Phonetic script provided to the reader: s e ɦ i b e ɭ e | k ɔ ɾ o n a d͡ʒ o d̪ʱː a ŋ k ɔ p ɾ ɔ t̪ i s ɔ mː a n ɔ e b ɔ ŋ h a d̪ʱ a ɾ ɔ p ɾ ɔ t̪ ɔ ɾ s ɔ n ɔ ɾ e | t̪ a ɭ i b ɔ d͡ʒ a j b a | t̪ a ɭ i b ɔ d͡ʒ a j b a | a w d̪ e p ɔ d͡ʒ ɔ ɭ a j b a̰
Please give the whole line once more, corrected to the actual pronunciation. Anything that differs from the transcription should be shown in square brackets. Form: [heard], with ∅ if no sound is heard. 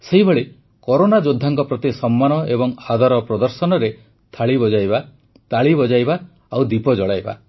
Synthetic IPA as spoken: s e ɦ i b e ɭ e | k ɔ ɾ o n a d͡ʒ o d̪ʱː a ŋ k ɔ p ɾ ɔ t̪ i s ɔ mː a n ɔ e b ɔ ŋ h a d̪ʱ a ɾ ɔ p ɾ ɔ [d̪] ɔ ɾ s ɔ n ɔ ɾ e | [t̪ʰ] a ɭ i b ɔ d͡ʒ a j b a | t̪ a ɭ i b ɔ d͡ʒ a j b a | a w d̪ [i] p ɔ d͡ʒ ɔ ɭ a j b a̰